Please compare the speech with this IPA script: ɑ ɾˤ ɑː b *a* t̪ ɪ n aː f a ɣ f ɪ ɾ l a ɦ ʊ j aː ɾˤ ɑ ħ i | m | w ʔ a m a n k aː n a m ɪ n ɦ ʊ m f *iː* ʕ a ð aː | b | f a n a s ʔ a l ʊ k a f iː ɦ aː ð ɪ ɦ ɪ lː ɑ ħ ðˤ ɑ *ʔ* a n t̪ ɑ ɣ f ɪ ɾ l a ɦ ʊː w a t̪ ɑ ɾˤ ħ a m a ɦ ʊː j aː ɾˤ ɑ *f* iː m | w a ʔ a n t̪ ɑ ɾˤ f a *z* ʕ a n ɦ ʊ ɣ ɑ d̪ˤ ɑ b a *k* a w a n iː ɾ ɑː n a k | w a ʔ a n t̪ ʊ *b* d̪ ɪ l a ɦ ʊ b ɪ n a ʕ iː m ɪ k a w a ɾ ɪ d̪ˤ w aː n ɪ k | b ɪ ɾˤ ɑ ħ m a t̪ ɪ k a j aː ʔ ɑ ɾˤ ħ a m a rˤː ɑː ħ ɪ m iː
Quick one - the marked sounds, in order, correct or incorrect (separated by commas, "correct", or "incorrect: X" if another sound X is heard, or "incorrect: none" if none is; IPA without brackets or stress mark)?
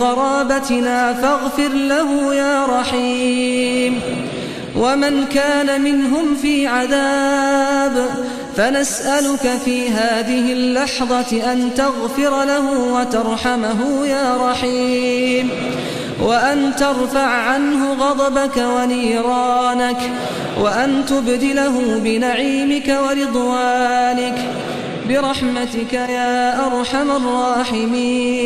correct, correct, correct, incorrect: ħ, incorrect: ʕ, correct, correct